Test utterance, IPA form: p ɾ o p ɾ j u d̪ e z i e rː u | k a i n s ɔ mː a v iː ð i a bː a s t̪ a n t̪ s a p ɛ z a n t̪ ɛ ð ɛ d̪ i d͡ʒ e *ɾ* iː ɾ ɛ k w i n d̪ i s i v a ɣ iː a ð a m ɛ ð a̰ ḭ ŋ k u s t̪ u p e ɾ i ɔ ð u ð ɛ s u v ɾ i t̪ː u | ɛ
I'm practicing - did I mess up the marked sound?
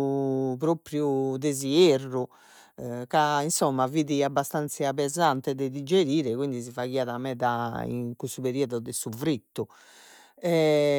no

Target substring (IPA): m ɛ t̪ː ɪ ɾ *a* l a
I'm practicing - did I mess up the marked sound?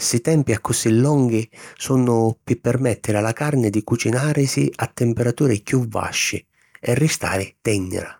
no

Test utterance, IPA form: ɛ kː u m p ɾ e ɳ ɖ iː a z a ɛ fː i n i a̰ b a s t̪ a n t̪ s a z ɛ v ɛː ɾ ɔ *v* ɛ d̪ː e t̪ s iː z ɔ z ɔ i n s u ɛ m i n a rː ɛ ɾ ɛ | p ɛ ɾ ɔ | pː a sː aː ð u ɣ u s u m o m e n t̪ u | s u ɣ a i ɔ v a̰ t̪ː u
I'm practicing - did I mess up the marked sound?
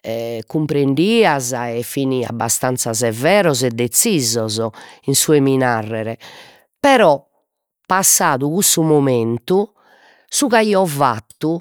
yes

